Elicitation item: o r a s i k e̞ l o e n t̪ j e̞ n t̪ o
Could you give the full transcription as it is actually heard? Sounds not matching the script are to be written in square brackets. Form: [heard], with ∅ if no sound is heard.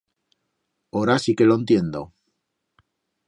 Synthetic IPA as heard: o [ɾ] a s i k e̞ l o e n t̪ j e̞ n [d̪] o